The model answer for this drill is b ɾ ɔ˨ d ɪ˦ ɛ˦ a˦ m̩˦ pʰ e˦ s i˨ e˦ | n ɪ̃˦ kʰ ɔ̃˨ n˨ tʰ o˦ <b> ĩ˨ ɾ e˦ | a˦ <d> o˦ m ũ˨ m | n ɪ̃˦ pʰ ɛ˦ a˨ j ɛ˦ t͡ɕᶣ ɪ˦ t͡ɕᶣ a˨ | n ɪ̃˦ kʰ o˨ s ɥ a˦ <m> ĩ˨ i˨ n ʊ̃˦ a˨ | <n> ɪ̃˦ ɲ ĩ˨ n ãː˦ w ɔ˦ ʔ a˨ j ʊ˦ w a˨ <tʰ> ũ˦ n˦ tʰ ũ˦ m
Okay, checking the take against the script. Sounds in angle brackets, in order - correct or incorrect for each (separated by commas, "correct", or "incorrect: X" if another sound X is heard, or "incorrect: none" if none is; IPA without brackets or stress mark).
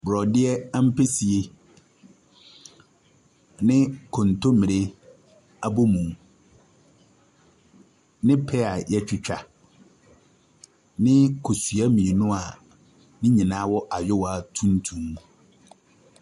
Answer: incorrect: m, incorrect: b, correct, correct, correct